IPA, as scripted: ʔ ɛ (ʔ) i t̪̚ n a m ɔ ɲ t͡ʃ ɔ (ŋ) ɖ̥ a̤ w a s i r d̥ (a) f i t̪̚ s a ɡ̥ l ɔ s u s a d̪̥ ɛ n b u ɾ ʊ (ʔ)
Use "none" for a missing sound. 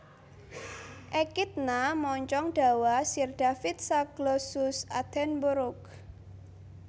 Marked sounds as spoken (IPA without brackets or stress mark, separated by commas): k, ŋ, a, k